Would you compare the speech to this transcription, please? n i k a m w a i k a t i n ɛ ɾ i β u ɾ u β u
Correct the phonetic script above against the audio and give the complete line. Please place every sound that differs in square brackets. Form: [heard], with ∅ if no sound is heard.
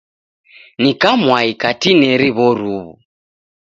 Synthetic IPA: n i k a m w a i k a t i n ɛ ɾ i β [ɔ] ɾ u β u